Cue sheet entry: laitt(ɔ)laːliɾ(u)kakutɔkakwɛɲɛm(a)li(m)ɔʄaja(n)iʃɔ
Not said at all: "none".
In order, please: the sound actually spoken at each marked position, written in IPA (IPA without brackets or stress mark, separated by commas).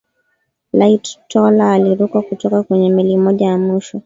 ɔ, u, i, m, m